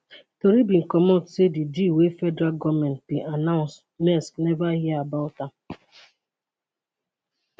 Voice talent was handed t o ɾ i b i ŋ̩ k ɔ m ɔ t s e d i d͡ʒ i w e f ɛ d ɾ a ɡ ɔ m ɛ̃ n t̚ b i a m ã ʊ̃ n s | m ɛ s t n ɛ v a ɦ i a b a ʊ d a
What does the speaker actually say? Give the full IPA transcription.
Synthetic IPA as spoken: t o ɾ i b i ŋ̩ k ɔ m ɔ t s e d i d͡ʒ i w e f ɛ d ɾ a ɡ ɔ m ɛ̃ n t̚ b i a n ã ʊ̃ n s | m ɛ s k n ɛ v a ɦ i a b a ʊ t a